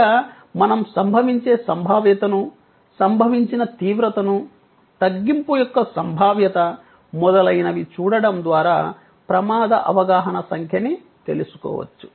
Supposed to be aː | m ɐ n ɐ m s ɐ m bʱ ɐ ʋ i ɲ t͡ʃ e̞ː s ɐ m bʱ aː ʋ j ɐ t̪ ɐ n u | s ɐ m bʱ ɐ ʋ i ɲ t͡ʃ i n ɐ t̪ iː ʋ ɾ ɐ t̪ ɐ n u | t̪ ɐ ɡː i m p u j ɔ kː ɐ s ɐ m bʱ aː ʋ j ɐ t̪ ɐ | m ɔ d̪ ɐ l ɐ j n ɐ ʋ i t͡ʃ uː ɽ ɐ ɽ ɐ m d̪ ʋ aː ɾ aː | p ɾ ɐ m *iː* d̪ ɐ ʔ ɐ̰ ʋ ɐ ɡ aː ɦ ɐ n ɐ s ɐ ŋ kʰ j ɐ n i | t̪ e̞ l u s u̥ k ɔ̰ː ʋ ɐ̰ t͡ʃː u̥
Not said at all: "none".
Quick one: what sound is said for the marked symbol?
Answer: aː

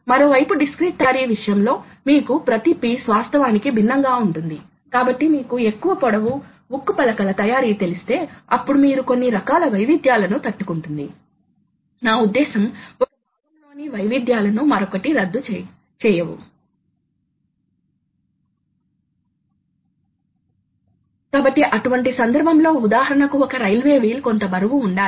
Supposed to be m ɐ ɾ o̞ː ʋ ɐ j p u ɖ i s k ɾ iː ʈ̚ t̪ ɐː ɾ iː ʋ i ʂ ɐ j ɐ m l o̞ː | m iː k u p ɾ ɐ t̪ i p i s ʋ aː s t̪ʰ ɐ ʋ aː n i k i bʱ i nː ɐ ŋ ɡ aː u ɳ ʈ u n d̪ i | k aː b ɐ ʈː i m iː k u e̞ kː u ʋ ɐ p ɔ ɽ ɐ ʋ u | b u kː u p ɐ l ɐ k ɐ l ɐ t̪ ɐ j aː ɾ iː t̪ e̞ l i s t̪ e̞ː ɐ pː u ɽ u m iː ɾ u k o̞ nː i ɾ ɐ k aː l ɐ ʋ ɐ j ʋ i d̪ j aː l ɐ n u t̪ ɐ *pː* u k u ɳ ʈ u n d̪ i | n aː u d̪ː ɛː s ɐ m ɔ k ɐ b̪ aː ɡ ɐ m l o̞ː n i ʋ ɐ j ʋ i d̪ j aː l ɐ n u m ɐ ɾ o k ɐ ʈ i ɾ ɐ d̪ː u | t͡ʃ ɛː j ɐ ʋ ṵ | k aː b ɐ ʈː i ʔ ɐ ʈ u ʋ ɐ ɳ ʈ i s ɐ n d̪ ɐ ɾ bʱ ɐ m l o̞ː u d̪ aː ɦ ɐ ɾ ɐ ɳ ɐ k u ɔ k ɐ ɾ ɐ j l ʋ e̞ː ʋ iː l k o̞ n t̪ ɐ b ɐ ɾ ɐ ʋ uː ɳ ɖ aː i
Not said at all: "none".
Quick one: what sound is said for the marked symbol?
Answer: ʈː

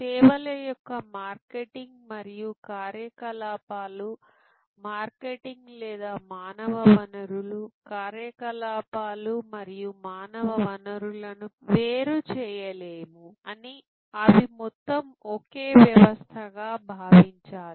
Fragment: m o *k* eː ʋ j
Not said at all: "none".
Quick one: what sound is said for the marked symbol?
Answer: k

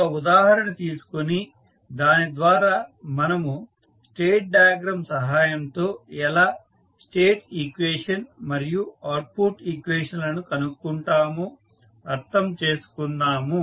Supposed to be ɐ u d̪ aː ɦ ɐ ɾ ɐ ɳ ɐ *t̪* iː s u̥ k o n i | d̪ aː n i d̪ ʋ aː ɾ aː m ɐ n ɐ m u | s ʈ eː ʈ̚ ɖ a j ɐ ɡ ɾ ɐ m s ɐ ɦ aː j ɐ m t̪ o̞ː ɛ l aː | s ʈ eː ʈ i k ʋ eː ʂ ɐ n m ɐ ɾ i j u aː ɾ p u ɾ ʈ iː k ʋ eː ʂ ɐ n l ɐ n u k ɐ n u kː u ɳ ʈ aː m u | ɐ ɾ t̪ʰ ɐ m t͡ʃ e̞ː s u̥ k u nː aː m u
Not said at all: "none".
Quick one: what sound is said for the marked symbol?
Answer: t̪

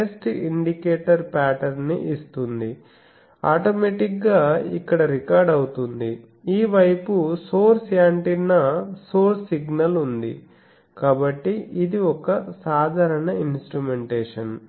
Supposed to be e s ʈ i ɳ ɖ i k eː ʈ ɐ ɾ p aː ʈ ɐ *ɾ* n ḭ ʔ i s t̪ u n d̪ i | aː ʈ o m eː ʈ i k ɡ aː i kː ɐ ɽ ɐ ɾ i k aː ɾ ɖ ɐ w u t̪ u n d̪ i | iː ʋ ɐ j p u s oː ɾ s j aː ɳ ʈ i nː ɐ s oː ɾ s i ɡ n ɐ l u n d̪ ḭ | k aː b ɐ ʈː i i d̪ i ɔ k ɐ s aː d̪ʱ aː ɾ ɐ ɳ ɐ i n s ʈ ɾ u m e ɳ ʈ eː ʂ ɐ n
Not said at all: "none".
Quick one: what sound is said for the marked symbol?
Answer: ɾ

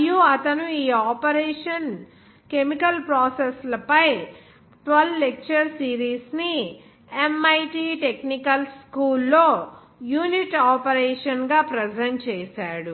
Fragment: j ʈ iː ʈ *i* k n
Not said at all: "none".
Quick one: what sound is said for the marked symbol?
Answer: e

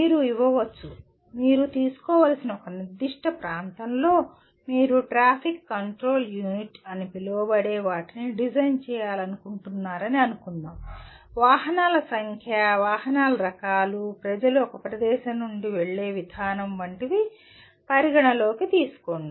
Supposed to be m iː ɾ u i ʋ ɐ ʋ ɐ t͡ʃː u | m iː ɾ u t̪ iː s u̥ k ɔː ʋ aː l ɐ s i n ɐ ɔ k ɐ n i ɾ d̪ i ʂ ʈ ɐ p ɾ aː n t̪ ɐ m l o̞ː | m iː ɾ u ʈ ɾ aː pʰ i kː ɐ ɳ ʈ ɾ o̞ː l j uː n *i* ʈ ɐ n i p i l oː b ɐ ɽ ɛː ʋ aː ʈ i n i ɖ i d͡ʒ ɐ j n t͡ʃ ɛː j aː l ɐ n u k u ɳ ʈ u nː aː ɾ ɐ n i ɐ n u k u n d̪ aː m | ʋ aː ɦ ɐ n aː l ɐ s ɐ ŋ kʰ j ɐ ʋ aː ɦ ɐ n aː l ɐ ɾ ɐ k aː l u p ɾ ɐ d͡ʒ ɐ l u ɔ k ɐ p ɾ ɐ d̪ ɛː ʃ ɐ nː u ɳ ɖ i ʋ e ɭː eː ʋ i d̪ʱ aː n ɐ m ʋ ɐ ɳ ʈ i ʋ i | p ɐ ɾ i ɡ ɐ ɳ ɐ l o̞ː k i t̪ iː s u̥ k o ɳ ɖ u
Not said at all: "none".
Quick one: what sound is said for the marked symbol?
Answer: i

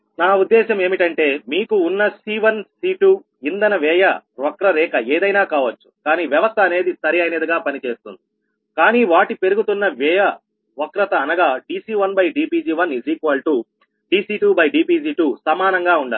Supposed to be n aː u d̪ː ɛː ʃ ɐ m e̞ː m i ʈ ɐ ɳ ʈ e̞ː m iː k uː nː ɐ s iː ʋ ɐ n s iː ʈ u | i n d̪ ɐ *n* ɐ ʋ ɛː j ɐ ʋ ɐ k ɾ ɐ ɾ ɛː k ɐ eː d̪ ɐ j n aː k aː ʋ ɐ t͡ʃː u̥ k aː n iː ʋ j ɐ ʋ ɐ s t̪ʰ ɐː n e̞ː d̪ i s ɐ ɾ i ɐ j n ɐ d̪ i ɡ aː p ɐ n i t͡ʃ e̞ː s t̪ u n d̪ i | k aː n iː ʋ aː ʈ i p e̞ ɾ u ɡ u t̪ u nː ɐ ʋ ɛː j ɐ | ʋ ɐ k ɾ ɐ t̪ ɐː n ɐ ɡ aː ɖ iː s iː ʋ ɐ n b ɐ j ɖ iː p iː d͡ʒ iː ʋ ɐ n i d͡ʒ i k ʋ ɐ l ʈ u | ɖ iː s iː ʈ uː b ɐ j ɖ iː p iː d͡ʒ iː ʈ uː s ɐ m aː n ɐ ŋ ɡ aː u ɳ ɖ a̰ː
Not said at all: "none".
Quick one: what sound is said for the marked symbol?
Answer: n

